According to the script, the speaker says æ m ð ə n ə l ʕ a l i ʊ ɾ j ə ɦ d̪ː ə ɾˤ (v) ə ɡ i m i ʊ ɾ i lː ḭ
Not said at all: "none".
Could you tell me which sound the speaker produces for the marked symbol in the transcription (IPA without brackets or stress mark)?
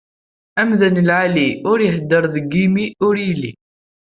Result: ð